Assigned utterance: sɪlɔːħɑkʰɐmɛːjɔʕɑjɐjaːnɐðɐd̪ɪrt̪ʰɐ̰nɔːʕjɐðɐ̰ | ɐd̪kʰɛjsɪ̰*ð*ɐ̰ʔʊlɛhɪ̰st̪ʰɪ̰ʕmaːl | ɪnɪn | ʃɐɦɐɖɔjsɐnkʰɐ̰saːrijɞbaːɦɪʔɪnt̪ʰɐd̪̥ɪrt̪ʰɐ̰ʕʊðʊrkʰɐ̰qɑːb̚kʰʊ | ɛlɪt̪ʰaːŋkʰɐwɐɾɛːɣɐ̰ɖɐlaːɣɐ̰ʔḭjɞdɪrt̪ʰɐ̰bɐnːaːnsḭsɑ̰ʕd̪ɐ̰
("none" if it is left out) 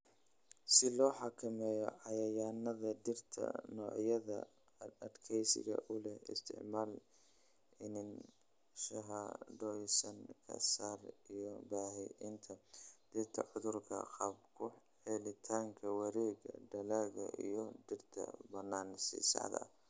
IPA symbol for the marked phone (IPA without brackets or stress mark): ɣ